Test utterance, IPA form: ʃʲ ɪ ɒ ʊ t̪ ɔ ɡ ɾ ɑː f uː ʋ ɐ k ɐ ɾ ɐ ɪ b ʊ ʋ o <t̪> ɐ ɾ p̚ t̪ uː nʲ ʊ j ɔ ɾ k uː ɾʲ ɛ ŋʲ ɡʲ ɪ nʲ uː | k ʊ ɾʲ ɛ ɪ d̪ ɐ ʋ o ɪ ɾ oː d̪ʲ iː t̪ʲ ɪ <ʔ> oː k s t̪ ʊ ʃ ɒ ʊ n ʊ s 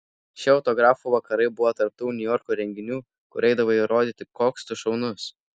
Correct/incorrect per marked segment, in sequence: correct, incorrect

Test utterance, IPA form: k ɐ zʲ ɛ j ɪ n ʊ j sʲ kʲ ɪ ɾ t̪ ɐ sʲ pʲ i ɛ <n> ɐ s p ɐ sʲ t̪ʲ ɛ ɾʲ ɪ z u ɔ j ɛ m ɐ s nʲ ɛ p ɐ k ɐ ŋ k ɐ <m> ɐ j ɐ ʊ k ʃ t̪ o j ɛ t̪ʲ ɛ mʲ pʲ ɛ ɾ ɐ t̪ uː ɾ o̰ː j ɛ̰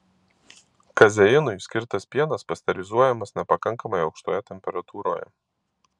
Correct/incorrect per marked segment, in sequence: correct, correct

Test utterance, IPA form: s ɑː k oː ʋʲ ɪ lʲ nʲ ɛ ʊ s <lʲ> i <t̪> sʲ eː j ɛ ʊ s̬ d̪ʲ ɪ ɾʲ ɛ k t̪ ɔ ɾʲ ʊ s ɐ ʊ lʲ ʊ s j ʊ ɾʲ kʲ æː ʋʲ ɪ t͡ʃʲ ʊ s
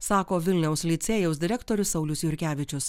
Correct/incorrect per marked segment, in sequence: correct, correct

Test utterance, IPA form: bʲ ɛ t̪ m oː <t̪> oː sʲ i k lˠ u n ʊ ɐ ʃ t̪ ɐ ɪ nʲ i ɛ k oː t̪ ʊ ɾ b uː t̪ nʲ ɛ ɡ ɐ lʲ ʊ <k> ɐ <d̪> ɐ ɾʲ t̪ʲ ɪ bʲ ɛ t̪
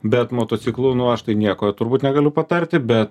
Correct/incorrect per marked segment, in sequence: correct, incorrect, incorrect

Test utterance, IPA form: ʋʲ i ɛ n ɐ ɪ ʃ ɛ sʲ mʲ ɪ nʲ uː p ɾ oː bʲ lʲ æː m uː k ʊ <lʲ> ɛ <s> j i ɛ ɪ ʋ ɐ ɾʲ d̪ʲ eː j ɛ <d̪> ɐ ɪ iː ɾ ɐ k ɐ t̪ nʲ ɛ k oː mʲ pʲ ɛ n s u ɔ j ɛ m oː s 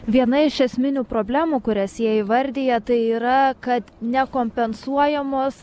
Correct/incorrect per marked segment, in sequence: incorrect, correct, incorrect

